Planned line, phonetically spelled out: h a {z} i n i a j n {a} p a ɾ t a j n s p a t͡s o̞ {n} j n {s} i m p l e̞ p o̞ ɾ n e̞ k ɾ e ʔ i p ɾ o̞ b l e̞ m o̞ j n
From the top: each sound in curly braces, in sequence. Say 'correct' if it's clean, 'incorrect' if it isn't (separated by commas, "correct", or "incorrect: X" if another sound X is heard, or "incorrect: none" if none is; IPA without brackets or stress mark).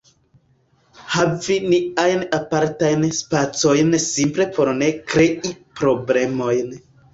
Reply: incorrect: v, correct, incorrect: none, correct